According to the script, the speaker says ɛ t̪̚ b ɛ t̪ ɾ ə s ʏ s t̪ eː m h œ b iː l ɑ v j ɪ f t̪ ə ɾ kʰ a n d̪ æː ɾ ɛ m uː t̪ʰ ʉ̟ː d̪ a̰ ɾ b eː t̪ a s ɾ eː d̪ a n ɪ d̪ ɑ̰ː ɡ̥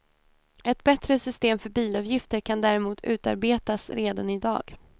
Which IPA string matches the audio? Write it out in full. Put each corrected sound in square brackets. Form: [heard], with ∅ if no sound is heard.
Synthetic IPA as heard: ɛ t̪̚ b ɛ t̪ ɾ ə s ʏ s t̪ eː m [f] œ b iː l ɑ v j ɪ f t̪ ə ɾ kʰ a n d̪ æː ɾ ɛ m uː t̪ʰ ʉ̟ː [t̪] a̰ ɾ b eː t̪ a s ɾ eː d̪ a n ɪ d̪ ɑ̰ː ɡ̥